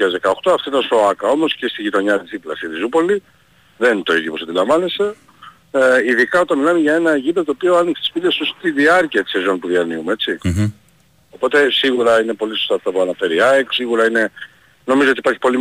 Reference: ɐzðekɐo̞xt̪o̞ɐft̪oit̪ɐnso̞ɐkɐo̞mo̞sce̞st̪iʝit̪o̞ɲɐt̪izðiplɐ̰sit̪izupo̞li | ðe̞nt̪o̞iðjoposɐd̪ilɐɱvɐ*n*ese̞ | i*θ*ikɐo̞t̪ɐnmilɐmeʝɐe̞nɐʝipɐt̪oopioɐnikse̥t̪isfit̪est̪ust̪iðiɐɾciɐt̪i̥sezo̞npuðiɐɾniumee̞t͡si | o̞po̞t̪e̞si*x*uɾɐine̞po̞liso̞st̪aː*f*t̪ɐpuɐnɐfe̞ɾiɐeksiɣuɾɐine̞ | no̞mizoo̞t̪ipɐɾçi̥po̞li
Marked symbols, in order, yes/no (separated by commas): yes, no, no, yes